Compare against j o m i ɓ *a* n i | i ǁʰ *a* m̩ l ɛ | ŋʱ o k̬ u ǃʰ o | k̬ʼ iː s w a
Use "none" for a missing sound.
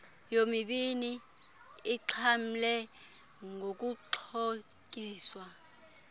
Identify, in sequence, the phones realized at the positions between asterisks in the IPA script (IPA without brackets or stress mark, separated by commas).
i, a